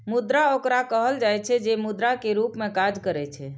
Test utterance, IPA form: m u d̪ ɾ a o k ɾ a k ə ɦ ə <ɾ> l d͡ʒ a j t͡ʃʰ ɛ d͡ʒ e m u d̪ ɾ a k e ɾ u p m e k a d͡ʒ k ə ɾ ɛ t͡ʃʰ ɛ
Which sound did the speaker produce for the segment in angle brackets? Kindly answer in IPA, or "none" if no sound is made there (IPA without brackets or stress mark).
none